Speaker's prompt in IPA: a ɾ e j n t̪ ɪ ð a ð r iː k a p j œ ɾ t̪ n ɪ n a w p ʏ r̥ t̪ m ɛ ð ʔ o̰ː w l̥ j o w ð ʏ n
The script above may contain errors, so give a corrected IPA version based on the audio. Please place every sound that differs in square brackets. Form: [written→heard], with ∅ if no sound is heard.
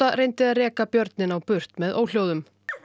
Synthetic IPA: a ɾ e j n t̪ ɪ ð a ð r [iː→ɛː] k a p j œ ɾ t̪ n ɪ n a w p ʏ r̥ t̪ m ɛ ð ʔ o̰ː w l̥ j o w ð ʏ [n→m]